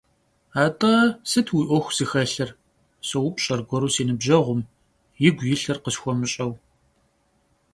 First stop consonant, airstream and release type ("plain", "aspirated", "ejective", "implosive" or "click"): ejective